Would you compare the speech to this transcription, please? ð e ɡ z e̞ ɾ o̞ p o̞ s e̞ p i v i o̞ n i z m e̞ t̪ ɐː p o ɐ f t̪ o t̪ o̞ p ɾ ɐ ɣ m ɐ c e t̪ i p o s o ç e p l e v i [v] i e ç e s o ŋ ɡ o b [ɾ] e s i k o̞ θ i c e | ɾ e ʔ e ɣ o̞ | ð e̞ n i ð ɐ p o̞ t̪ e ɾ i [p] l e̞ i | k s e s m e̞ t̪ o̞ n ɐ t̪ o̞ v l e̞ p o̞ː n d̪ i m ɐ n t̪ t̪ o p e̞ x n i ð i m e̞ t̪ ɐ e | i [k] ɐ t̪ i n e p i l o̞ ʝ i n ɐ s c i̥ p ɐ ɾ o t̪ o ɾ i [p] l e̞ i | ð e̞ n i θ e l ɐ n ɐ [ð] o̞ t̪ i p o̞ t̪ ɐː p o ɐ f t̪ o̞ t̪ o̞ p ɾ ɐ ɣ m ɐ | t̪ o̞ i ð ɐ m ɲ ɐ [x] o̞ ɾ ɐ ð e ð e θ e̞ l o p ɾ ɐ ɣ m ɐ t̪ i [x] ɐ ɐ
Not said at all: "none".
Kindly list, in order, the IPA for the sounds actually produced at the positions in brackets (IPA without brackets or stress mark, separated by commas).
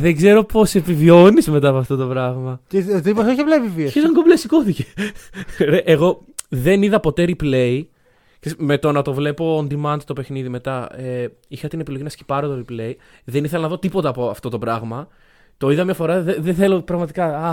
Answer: v, l, p, x, p, ð, f, k